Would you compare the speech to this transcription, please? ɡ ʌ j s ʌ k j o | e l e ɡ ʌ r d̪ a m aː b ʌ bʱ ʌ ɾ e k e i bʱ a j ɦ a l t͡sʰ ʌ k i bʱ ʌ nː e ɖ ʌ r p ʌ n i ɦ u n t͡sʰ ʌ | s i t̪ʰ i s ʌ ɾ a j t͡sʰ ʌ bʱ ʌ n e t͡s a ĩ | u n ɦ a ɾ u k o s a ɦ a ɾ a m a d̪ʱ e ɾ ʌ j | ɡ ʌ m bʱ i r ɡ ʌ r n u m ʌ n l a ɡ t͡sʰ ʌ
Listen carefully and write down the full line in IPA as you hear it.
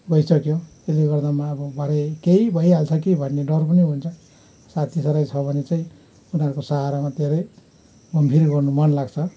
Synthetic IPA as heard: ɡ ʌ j s ʌ k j o | e l e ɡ ʌ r d̪ a m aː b ʌ bʱ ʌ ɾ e k e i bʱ ʌ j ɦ a l t͡sʰ ʌ k i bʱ ʌ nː e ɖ ʌ r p ʌ n i ɦ u n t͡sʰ ʌ | s a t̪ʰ i s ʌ ɾ a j t͡sʰ ʌ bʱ ʌ n e t͡s a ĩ | u n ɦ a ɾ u k o s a ɦ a ɾ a m a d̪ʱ e ɾ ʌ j | ɡ ʌ m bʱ i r ɡ ʌ r n u m ʌ n l a ɡ t͡sʰ ʌ